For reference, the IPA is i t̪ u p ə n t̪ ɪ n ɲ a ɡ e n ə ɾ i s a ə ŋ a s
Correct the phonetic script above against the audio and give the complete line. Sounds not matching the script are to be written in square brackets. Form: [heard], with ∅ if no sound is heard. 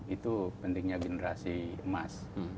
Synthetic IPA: i t̪ u p ə n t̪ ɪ [ŋ] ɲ a ɡ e n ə ɾ [a] s [i] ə [m] a s